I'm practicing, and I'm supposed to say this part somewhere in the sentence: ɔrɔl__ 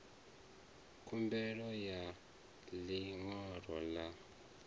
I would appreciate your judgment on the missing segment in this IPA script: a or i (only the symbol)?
a